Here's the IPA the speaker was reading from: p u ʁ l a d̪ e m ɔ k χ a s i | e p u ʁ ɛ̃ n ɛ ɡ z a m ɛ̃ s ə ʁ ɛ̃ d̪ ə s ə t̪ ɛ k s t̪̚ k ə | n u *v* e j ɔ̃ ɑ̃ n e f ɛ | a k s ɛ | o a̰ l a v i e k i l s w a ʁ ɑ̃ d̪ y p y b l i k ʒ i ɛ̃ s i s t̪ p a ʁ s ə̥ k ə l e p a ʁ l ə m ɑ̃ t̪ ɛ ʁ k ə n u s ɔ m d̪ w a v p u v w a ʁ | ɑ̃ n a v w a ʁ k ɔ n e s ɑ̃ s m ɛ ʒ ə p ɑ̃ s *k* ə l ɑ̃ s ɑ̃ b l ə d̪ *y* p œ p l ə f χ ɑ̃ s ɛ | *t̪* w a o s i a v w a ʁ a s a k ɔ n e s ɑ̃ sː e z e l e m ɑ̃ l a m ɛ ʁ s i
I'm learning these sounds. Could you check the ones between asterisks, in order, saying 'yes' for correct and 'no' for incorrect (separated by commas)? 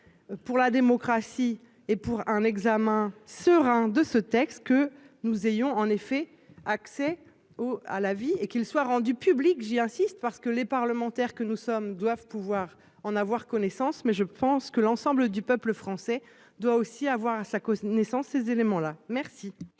no, yes, yes, no